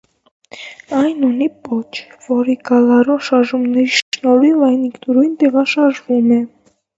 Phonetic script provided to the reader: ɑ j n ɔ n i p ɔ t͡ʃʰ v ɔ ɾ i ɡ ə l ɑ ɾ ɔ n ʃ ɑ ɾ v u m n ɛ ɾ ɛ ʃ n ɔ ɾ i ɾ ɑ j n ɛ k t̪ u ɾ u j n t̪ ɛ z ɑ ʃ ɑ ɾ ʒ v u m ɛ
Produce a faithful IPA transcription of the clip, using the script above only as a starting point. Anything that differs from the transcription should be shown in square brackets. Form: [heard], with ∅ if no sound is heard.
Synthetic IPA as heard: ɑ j n [u] n i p ɔ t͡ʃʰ v ɔ ɾ i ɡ [ɑ] l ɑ ɾ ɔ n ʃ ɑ ɾ [ʒ] u m n ɛ ɾ [i] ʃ n ɔ ɾ i [l] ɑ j n [i] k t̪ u ɾ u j n t̪ ɛ [ʁ] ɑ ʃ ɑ ɾ ʒ v u m ɛ